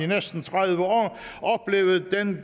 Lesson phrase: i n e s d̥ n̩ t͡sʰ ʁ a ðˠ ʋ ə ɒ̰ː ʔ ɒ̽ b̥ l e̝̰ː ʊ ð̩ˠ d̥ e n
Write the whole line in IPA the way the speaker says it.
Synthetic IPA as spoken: i n e s d̥ n̩ t͡sʰ ʁ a ðˠ ʋ ə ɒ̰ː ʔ ɒ̽ b̥ l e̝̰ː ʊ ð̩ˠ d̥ e n